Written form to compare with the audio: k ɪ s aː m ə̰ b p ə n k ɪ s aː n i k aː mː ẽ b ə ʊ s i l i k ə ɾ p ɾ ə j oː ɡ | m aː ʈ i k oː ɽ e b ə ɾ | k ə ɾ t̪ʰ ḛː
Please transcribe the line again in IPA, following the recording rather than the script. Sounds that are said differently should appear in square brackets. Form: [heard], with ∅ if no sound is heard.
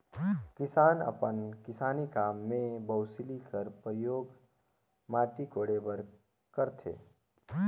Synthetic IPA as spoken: k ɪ s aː [n] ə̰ [∅] p ə n k ɪ s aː n i k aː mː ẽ b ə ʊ s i l i k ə ɾ p ɾ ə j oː ɡ | m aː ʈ i k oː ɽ e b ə ɾ | k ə ɾ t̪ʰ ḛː